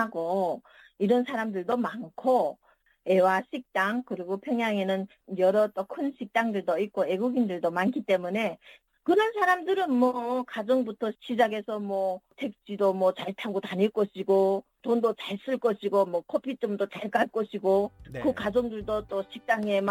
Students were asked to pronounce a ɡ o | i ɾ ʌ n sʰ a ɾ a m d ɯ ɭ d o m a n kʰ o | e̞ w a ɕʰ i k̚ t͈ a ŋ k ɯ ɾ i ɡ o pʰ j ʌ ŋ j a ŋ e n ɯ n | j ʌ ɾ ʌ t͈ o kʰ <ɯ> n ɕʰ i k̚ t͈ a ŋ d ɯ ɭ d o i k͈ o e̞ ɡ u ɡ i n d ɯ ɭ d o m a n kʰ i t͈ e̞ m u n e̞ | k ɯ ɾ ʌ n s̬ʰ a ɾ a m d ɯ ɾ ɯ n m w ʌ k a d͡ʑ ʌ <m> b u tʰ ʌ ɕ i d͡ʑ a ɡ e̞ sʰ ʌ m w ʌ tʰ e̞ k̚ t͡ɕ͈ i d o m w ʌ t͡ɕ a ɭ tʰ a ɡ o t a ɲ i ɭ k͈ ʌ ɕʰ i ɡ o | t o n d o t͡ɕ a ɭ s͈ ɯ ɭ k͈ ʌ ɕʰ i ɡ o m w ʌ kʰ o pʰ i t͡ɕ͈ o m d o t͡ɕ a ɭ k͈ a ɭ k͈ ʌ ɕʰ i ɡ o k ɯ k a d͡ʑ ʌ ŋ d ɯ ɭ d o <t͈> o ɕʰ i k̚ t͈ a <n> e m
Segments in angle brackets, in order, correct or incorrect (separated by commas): correct, incorrect, correct, incorrect